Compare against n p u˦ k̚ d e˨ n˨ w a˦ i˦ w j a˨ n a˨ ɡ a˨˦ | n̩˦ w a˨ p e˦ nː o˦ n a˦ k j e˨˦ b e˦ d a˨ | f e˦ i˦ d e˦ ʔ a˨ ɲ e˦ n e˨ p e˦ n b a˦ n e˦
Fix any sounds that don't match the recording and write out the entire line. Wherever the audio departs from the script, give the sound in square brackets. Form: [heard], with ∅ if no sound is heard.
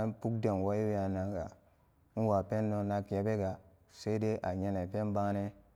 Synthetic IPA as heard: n p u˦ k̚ d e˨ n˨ w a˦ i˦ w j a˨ n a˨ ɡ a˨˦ | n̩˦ w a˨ p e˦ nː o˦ n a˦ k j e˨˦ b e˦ [ɡ] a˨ | [s] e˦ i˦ d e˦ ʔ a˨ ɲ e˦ n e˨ p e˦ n b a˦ n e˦